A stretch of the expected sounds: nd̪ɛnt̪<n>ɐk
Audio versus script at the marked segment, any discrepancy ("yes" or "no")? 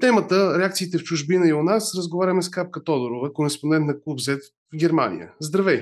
no